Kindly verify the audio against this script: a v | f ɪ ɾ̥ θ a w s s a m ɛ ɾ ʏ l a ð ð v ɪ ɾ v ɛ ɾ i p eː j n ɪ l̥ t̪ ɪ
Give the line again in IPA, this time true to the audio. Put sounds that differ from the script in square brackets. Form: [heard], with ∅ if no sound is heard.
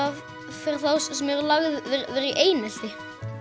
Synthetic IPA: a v | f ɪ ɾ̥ θ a w s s [ɛ] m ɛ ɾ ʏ l a [ɣ] ð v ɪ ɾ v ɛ ɾ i [ʔ] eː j n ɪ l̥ t̪ ɪ